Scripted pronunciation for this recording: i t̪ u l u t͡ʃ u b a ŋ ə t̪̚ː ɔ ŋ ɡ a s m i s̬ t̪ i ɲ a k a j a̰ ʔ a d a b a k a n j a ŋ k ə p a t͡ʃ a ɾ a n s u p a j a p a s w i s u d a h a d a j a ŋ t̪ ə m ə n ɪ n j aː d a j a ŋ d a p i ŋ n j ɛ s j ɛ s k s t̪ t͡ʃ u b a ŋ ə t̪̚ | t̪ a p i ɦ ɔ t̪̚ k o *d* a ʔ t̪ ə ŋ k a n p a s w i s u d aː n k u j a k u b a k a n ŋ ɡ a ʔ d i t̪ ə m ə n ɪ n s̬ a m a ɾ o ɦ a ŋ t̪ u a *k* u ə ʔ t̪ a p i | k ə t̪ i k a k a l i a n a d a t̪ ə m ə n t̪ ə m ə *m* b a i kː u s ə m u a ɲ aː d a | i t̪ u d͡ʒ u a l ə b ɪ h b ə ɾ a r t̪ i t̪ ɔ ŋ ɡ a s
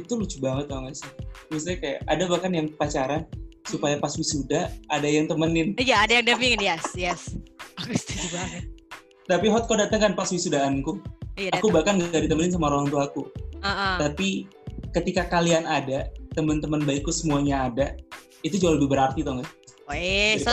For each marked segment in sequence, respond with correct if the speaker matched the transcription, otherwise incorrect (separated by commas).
correct, correct, incorrect